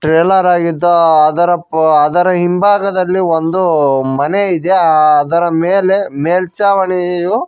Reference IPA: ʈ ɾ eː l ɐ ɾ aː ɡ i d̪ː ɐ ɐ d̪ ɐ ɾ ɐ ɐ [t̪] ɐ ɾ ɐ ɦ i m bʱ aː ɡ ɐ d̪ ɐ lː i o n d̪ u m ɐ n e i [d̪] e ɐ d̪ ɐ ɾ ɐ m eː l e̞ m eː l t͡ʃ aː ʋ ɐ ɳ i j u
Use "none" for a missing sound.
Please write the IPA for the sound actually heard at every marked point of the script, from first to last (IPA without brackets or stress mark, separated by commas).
d̪, d̪